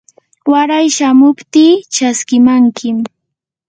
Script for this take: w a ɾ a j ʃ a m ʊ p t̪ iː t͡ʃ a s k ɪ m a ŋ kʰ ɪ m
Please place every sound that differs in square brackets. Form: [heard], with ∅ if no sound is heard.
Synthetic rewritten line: w a ɾ a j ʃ a m ʊ p t̪ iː t͡ʃ a s k ɪ m a ŋ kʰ ɪ m